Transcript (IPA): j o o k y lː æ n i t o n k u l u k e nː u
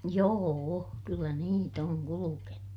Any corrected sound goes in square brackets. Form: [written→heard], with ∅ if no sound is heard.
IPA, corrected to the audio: j [o→oː] o k y lː æ n [i→iː] t o [n→ŋ] k u l u k e [nː→n] u